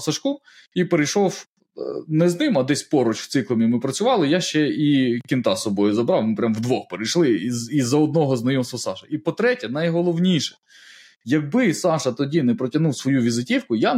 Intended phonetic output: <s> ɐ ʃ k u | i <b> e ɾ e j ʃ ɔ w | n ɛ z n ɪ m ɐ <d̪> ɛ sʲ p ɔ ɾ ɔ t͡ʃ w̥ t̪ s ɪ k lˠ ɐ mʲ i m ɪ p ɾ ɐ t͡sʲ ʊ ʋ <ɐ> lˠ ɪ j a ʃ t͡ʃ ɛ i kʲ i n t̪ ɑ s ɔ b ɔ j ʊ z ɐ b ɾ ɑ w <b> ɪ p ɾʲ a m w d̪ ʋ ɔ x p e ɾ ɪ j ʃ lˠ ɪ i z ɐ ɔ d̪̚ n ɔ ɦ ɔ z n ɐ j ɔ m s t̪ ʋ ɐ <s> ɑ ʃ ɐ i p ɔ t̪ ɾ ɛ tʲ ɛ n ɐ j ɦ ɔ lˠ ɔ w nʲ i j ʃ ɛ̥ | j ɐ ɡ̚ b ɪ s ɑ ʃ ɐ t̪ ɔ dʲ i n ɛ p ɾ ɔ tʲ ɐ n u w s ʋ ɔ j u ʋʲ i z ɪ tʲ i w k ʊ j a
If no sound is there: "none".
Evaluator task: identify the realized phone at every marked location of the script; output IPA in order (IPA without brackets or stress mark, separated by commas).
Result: s, p, d̪, ɑ, m, s